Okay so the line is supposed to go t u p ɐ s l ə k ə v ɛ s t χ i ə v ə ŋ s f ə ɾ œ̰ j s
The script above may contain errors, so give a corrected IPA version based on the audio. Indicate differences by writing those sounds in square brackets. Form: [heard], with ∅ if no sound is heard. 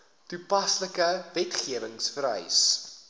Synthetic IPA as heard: t u p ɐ s l ə k ə v ɛ [∅] t χ i ə v ə ŋ s f ə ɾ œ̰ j s